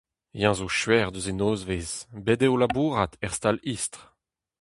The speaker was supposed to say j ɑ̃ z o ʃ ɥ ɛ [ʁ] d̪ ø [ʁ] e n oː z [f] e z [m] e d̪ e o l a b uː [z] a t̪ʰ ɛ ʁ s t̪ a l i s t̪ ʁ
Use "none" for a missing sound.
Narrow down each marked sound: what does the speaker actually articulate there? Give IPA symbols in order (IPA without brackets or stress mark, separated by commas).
ʁ, z, v, b, ʁ